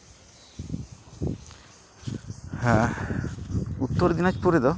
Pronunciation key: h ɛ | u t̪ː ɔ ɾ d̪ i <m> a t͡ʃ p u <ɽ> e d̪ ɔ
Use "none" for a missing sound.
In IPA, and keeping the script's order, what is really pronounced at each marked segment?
n, ɾ

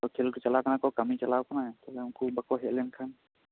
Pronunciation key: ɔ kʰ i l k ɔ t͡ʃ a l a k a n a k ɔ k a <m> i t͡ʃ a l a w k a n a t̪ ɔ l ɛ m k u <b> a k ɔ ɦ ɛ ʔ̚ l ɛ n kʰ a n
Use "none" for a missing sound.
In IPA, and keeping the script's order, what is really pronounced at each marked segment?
m, b

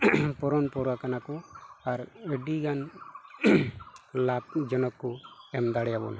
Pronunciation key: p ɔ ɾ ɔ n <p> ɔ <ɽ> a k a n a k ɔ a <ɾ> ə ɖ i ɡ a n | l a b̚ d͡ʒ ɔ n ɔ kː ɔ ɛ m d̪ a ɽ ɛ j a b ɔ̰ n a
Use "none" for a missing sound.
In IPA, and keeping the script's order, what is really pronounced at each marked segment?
p, ɾ, ɾ

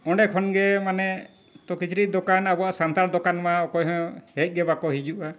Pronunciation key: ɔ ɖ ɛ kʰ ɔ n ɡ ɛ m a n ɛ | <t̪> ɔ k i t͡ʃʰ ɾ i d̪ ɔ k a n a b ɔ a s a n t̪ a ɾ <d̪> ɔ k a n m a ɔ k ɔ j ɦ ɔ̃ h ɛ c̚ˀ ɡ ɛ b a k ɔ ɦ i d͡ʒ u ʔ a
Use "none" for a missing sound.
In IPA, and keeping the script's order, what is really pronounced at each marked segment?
t̪, d̪

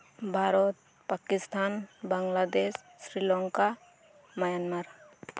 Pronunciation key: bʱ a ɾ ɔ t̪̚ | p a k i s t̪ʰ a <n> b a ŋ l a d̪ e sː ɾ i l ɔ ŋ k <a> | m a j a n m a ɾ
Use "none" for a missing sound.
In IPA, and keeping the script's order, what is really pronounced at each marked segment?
n, a

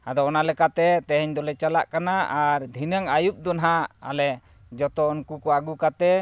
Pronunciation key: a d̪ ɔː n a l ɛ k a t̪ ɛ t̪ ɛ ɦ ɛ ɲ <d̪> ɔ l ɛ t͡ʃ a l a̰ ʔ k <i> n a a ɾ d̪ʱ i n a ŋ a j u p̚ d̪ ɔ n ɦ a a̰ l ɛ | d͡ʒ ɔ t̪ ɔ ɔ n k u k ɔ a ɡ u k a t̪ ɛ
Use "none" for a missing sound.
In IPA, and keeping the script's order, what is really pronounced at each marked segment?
d̪, a

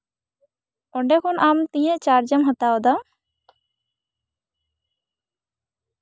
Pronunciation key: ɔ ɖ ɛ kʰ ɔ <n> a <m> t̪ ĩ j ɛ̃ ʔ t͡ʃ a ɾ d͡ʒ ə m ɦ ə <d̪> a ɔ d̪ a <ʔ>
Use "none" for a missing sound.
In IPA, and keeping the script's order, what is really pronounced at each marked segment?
n, m, t̪, none

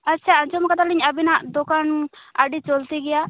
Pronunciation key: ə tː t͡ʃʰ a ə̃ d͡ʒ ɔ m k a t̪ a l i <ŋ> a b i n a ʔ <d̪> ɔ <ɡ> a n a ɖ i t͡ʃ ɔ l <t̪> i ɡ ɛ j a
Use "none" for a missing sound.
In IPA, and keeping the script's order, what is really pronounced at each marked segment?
ɲ, d̪, k, t̪

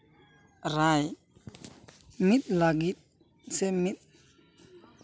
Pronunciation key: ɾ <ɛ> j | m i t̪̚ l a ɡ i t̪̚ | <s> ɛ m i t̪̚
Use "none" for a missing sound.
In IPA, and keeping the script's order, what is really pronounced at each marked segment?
a, s

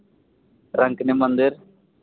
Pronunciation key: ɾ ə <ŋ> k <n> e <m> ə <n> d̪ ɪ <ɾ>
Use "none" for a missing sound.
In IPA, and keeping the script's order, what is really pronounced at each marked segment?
ŋ, n, m, n, ɾ

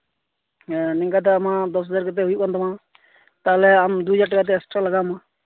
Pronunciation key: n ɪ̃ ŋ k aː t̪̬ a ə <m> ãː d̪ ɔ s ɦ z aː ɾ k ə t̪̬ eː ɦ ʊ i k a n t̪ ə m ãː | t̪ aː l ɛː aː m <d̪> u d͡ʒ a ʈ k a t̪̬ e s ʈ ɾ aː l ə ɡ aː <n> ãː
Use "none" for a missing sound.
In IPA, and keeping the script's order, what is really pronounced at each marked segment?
m, d̪, m

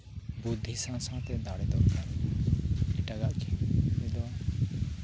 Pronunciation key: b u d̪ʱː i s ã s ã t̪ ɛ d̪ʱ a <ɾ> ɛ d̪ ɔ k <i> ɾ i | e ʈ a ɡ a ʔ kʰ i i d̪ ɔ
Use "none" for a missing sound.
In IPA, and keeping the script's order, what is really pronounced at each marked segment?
ɽ, a

